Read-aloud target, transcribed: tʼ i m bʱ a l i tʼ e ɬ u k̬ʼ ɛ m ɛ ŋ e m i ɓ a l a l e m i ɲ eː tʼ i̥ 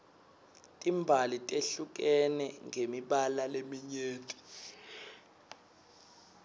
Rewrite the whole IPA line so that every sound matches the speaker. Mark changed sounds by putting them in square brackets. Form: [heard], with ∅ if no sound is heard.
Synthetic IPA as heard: tʼ i m bʱ a l i tʼ e ɬ u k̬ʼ ɛ [n] ɛ ŋ e m i ɓ a l a l e m i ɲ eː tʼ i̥